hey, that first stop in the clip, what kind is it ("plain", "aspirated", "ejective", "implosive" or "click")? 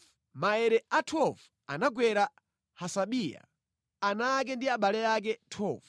aspirated